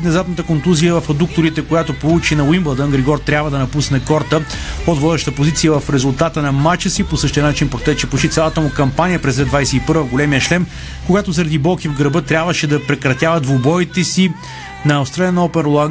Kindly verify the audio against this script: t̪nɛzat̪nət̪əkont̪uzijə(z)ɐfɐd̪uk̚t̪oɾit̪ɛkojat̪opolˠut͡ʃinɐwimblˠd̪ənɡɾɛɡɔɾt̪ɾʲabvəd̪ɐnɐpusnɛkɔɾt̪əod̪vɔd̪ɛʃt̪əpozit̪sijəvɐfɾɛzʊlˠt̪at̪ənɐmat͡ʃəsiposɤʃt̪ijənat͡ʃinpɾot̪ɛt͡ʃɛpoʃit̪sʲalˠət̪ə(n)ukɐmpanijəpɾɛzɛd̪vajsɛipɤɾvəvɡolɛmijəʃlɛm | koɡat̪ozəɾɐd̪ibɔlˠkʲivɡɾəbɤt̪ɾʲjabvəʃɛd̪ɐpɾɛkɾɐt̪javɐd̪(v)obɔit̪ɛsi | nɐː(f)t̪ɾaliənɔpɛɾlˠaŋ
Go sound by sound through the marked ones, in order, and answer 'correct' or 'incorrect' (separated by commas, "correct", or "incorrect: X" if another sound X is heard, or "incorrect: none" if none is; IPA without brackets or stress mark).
incorrect: v, incorrect: m, correct, incorrect: s